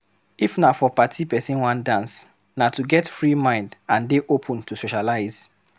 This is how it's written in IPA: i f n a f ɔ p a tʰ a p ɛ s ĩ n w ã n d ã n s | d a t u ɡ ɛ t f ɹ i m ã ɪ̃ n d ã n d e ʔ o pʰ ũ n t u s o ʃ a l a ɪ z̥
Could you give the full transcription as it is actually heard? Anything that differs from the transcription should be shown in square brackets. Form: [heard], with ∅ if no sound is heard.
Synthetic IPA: i f n a f ɔ p a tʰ [i] p ɛ s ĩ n w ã n d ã n s | [n] a t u ɡ ɛ t f ɹ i m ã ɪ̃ n d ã n d e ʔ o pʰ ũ n t u s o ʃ a l a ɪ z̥